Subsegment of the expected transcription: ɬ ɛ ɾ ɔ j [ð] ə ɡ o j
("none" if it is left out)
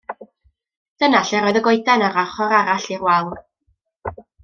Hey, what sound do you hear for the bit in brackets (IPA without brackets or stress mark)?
ð